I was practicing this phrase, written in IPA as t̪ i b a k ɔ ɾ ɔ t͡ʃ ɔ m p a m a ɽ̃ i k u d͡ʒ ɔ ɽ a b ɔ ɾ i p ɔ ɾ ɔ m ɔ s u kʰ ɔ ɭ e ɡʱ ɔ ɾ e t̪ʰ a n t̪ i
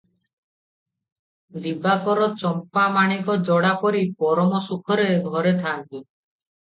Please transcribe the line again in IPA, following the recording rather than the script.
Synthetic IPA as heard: d̪ i b a k ɔ ɾ ɔ t͡ʃ ɔ m p a m a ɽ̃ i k ɔ d͡ʒ ɔ ɽ a p ɔ ɾ i p ɔ ɾ ɔ m ɔ s u kʰ ɔ ɾ e ɡʱ ɔ ɾ e t̪ʰ a n t̪ i